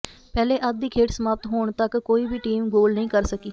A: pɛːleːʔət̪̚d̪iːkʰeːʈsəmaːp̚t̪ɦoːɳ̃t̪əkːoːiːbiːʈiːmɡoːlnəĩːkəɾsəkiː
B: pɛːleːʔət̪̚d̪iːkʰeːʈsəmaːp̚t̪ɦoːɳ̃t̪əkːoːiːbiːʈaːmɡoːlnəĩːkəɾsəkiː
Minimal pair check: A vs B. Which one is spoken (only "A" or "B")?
A